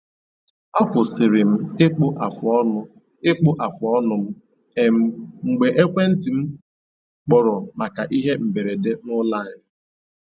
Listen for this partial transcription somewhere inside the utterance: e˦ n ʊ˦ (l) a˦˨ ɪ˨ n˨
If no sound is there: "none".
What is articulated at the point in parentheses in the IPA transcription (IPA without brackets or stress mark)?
l